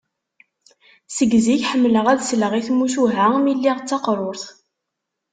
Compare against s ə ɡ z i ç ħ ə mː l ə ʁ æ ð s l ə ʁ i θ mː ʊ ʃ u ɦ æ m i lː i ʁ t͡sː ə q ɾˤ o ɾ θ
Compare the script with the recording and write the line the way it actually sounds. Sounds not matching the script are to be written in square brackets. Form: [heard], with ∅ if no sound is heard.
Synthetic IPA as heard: s ə ɡ z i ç ħ ə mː l ə ʁ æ ð s l ə ʁ i θ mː [u] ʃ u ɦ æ m i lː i ʁ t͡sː [ɑ] q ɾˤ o ɾ θ

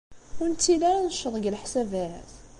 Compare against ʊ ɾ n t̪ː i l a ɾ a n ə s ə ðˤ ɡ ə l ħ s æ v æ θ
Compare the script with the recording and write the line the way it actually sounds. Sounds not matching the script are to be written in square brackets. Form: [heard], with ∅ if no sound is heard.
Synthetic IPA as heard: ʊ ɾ n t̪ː i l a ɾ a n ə [ʃ] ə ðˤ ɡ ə l ħ s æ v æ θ

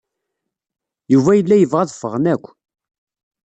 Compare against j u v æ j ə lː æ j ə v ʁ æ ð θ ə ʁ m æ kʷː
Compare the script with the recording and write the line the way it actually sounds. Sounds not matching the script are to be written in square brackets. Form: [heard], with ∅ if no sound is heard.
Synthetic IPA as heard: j u v æ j ə lː æ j ə v ʁ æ ð [f] ə ʁ [n] æ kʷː

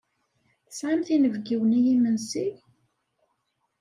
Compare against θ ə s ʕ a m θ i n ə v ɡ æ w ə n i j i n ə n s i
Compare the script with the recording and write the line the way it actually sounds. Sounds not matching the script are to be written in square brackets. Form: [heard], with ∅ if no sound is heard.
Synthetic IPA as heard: θ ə s ʕ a m θ i n ə v ɡ [i] w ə n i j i [m] ə n s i

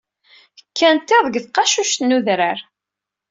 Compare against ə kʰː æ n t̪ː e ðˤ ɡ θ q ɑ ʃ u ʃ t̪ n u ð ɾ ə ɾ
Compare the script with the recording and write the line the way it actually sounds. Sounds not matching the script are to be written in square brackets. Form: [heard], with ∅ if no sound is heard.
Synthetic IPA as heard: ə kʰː æ n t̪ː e ðˤ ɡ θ q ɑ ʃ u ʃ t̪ n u ð ɾ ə ɾ

